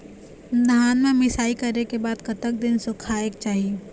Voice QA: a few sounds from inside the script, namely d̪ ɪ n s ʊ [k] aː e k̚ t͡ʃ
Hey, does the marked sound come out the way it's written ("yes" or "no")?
no